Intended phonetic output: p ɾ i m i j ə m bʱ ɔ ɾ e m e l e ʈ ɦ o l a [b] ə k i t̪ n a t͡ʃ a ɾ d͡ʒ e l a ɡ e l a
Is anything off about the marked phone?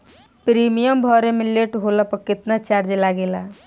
yes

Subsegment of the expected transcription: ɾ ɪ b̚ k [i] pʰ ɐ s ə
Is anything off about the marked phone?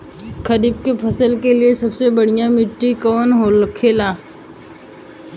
yes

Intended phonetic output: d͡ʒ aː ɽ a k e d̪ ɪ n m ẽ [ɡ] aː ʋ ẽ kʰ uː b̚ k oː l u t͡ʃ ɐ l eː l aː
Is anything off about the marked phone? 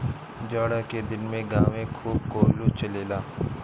no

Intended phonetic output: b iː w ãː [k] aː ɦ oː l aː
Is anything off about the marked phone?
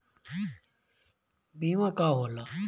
no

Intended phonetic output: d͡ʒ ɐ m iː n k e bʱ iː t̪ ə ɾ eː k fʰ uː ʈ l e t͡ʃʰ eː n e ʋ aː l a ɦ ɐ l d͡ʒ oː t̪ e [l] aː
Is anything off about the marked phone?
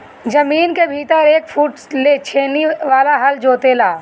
no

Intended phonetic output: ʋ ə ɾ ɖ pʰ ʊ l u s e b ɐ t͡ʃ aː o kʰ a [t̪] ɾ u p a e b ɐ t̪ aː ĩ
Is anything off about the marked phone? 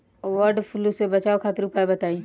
no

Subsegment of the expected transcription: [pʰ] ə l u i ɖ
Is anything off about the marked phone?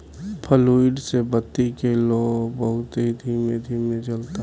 no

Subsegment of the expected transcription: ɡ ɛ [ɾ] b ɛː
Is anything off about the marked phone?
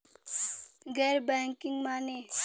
no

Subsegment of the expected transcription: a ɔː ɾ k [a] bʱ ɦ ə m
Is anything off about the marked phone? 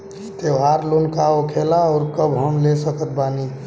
yes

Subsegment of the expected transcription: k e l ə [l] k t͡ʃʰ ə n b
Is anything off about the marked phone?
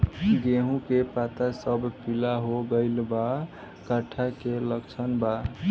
yes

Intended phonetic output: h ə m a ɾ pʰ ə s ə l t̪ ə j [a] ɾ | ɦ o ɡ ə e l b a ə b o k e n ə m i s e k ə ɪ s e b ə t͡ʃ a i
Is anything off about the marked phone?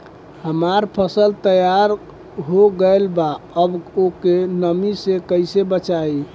no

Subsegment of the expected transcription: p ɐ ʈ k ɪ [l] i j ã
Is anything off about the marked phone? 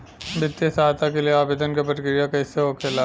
yes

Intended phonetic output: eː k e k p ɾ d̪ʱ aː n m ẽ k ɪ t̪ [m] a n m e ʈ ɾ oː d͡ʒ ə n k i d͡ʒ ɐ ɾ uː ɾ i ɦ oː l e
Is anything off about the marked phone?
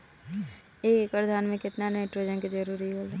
yes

